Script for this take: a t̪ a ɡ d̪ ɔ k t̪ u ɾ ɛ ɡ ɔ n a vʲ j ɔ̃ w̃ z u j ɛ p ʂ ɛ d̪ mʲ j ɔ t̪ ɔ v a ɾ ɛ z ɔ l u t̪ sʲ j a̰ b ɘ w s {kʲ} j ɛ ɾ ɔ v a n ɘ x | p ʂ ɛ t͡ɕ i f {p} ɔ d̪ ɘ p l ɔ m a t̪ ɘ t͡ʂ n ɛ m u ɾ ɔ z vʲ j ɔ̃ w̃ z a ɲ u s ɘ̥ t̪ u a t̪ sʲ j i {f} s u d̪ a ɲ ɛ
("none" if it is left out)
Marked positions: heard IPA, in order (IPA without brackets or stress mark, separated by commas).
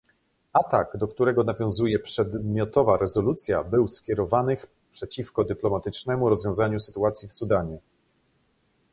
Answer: kʲ, k, f